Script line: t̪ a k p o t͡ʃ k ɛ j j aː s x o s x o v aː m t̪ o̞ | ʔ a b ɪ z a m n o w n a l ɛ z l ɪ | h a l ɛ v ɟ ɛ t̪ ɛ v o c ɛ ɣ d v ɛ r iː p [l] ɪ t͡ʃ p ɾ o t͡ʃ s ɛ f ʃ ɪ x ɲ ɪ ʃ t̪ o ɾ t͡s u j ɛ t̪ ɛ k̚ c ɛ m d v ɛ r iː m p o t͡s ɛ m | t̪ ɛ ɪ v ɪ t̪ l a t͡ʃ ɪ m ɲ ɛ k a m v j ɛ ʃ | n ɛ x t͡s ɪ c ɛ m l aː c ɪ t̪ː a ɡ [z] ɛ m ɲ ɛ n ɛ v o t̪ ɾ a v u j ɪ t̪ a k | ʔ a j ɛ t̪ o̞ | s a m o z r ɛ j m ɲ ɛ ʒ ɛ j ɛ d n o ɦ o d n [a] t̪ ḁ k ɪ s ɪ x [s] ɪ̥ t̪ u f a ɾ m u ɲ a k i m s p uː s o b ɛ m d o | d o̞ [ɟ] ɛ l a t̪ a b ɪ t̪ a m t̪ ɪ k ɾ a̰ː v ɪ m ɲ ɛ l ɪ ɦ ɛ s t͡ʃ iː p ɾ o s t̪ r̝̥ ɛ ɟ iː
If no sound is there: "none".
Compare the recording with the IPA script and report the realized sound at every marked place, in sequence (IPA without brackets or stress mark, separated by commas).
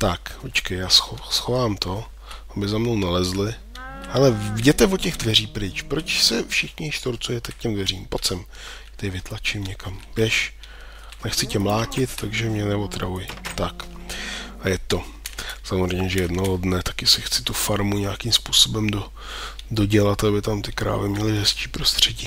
ɾ, ʒ, ɛ, t͡s, ɟ